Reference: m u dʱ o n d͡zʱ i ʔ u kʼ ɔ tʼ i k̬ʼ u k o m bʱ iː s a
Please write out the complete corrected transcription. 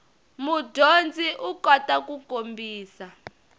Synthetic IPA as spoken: m u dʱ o n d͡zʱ i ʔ u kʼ ɔ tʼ a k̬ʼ u k o m bʱ iː s a